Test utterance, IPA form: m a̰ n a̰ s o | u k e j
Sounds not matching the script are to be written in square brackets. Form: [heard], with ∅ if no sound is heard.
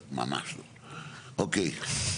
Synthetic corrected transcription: m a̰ [m] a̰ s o | [o] k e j